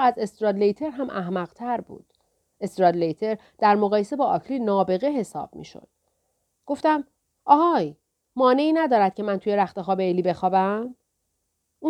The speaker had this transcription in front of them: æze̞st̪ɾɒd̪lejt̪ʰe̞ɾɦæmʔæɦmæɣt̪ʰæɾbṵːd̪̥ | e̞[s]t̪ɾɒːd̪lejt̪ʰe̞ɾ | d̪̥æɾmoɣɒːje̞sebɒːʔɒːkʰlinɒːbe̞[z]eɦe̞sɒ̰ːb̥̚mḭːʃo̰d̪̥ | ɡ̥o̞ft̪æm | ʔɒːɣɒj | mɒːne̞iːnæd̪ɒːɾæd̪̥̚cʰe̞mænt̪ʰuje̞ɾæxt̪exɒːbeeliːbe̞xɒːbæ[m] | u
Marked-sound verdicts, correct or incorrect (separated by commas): correct, incorrect, correct